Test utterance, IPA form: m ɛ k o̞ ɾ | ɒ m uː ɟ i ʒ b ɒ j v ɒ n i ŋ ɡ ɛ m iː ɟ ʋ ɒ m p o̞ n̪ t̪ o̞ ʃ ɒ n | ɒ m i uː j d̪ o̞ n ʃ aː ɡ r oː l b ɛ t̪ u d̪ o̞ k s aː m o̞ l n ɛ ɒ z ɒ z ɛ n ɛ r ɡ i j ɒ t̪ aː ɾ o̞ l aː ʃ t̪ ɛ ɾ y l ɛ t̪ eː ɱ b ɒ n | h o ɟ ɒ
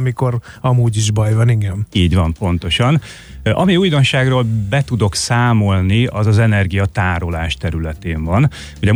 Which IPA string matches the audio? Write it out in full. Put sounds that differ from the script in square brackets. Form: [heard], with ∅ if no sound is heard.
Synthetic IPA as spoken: m [i] k o̞ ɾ | ɒ m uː ɟ i ʒ b ɒ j v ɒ n i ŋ ɡ ɛ m iː ɟ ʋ ɒ m p o̞ n̪ t̪ o̞ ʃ ɒ n | ɒ m i uː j d̪ o̞ n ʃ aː ɡ r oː l b ɛ t̪ u d̪ o̞ k s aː m o̞ l n [i] ɒ z ɒ z ɛ n ɛ r ɡ i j ɒ t̪ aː ɾ o̞ l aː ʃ t̪ ɛ ɾ y l ɛ t̪ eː ɱ [v] ɒ n | h o ɟ ɒ